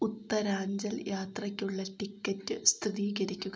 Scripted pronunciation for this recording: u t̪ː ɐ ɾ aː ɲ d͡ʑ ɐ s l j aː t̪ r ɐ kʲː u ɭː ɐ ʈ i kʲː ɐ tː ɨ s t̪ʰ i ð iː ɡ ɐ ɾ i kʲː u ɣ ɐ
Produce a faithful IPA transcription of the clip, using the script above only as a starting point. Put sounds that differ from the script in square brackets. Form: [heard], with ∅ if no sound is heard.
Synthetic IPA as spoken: u t̪ː ɐ ɾ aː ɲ d͡ʑ ɐ [∅] l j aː t̪ r ɐ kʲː u ɭː ɐ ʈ i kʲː ɐ tː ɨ s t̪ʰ i ð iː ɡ ɐ ɾ i kʲː u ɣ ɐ

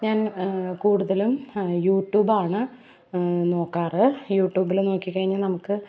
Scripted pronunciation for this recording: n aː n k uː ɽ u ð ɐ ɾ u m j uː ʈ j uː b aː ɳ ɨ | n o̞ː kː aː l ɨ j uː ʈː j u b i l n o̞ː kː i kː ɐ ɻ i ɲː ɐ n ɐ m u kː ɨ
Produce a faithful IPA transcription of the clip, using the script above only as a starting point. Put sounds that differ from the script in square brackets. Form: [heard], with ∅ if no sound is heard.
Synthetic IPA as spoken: [ɲ] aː n k uː ɽ u ð ɐ [l] u m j uː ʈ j uː b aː ɳ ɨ | n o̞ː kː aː [r] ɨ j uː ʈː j [uː] b i l n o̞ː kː i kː ɐ ɻ i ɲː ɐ n ɐ m u kː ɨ

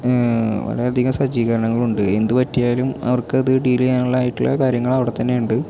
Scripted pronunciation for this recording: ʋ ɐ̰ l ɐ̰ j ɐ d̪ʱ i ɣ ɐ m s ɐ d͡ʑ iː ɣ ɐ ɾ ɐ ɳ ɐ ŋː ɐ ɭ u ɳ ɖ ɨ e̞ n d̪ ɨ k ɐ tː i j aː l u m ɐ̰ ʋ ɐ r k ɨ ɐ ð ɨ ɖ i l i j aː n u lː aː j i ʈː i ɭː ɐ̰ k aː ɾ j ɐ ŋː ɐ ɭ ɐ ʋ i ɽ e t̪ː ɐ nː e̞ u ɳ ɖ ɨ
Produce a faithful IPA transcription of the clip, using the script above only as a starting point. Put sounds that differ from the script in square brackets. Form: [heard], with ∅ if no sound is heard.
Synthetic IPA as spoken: ʋ ɐ̰ l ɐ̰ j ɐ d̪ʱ i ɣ ɐ m s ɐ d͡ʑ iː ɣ ɐ ɾ ɐ ɳ ɐ ŋː ɐ ɭ u ɳ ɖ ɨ e̞ n d̪ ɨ [p] ɐ tː i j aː l u m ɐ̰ ʋ ɐ r k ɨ ɐ ð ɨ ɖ i l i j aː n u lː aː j i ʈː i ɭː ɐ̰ k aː ɾ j ɐ ŋː ɐ ɭ ɐ ʋ i ɽ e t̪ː ɐ nː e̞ u ɳ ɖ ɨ

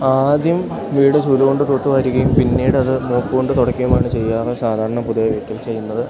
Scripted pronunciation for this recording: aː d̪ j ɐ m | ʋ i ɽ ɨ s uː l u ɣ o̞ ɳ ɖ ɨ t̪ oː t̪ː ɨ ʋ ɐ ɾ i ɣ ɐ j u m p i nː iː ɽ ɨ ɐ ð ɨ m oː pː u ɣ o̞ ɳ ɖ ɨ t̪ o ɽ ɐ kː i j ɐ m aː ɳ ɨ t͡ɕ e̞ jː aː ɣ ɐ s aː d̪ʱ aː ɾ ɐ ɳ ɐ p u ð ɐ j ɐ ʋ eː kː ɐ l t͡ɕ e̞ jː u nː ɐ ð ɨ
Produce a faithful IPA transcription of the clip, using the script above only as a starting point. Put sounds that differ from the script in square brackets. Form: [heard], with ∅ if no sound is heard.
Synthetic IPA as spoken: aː d̪ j ɐ m | ʋ [iː] ɽ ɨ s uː l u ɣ o̞ ɳ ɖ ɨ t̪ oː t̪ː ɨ ʋ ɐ ɾ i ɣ ɐ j u m p i nː iː ɽ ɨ ɐ ð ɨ m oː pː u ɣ o̞ ɳ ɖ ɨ t̪ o ɽ ɐ kː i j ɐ m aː ɳ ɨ t͡ɕ e̞ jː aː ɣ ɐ s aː d̪ʱ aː ɾ ɐ ɳ ɐ p u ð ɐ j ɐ ʋ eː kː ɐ l t͡ɕ e̞ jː u nː ɐ ð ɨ

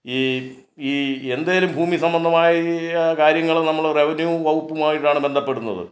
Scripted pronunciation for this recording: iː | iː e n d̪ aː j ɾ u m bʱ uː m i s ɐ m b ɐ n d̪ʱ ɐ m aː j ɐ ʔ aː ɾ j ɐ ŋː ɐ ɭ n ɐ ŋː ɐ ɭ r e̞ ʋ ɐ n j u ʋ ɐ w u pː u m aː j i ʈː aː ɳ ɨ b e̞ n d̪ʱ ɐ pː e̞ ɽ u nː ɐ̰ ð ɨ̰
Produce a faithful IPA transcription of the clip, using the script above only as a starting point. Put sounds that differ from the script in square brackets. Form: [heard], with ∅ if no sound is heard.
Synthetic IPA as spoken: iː | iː e n d̪ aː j [l] u m bʱ uː m i s ɐ m b ɐ n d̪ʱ ɐ m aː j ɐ [k] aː ɾ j ɐ ŋː ɐ ɭ n ɐ [mː] ɐ ɭ r e̞ ʋ ɐ n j u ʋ ɐ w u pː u m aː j i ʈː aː ɳ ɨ b e̞ n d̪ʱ ɐ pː e̞ ɽ u nː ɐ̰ ð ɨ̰

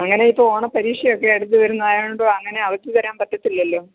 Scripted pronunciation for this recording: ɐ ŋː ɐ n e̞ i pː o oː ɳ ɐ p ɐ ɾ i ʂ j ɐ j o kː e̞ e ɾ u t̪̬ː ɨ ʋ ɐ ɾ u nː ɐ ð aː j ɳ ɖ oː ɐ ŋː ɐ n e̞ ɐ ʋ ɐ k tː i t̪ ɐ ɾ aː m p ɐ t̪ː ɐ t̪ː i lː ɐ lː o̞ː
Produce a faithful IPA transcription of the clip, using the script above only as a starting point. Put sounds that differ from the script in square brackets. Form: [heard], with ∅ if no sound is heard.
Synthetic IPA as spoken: ɐ ŋː ɐ n e̞ i pː o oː ɳ ɐ p ɐ ɾ [iː] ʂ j ɐ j o kː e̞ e [ɽ] u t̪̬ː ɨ ʋ ɐ ɾ u nː ɐ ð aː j ɳ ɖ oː ɐ ŋː ɐ n e̞ ɐ ʋ ɐ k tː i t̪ ɐ ɾ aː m p ɐ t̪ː ɐ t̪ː i lː ɐ lː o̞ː

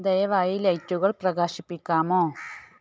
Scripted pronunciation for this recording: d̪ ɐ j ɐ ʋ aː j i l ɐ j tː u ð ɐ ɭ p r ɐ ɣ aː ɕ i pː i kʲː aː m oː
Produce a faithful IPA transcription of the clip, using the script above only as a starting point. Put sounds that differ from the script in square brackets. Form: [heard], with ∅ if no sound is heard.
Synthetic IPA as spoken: d̪ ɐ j ɐ ʋ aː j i l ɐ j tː u [ɣ] ɐ ɭ p r ɐ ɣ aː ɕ i pː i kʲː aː m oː

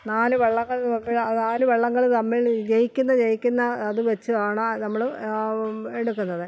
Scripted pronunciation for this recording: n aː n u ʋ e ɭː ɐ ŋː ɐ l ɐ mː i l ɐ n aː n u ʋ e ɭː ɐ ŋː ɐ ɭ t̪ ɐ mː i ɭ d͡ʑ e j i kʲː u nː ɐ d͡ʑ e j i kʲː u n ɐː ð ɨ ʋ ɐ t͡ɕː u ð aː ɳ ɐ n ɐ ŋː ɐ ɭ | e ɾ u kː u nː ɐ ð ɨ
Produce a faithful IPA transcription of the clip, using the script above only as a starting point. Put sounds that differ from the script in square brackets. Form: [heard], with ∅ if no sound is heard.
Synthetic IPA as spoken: n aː n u ʋ e ɭː ɐ ŋː ɐ [ɭ] ɐ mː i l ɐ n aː n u ʋ e ɭː ɐ ŋː ɐ ɭ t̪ ɐ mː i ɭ d͡ʑ e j i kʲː u nː ɐ d͡ʑ e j i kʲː u [nː] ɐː ð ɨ ʋ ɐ t͡ɕː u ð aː ɳ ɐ n ɐ [mː] ɐ ɭ | e [ɽ] u kː u nː ɐ ð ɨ

